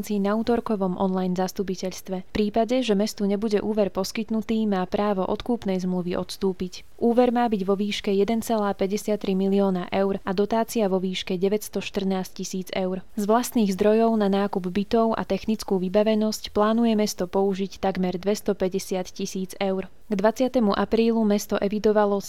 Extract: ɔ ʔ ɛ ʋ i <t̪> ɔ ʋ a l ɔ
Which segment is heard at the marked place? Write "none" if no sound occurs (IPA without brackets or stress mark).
d̪